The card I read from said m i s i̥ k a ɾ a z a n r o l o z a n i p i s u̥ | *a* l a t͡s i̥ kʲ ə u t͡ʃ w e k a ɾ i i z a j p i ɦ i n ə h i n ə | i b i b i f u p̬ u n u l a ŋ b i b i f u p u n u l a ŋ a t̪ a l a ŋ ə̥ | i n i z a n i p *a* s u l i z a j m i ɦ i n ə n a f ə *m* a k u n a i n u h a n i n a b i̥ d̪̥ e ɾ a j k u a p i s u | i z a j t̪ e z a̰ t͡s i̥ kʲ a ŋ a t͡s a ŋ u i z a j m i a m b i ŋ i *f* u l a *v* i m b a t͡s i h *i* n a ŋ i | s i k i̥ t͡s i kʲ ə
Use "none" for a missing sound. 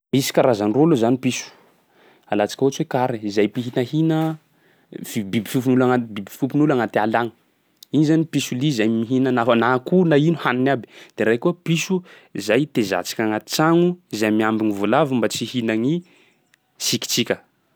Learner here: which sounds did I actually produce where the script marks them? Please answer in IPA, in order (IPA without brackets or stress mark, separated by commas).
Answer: a, i, n, v, v, i